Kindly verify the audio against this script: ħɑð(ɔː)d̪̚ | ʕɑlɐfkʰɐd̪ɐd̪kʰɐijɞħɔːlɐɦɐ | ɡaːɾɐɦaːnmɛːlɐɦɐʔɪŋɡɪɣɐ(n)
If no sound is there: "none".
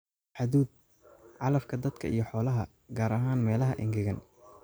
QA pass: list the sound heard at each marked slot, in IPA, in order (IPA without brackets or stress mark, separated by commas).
uː, n